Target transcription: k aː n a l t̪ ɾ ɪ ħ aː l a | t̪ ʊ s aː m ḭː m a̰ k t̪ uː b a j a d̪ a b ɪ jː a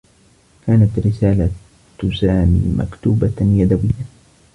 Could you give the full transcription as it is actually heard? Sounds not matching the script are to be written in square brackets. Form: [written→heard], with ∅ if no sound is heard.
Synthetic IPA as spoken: k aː n a [l→∅] t̪ ɾ ɪ [ħ→s] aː l a | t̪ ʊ s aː m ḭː m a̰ k t̪ uː b a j a d̪ a [b→w] ɪ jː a